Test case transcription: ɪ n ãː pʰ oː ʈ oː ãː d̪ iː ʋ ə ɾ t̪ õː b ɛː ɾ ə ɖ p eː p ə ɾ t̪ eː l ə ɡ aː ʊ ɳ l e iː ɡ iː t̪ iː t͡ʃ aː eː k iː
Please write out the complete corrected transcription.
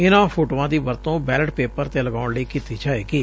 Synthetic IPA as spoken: ɪ n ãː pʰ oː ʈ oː ãː d̪ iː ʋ ə ɾ t̪ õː b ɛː l ə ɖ p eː p ə ɾ t̪ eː l ə ɡ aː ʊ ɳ l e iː k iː t̪ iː t͡ʃ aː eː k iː